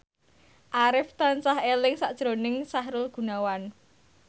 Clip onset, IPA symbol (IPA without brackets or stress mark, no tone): ʔ